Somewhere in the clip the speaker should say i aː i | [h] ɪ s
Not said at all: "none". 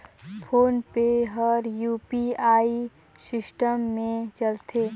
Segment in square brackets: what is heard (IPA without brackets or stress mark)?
s